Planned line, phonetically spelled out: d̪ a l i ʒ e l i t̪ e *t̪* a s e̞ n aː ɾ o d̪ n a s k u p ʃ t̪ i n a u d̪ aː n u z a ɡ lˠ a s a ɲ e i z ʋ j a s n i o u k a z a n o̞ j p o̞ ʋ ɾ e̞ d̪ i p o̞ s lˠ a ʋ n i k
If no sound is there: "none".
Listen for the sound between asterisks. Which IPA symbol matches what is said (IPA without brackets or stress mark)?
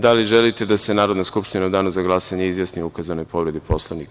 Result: d̪